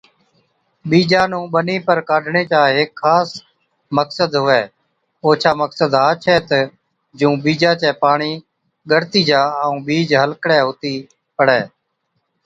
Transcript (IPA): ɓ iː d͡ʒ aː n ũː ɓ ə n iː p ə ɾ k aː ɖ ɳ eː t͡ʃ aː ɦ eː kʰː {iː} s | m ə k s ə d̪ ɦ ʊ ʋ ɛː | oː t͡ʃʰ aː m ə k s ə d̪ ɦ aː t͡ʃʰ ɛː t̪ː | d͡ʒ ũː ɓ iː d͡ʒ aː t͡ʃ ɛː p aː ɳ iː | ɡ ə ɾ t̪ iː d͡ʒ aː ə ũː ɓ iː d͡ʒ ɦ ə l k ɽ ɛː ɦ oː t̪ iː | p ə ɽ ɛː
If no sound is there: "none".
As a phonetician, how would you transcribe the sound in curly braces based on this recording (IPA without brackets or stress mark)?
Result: aː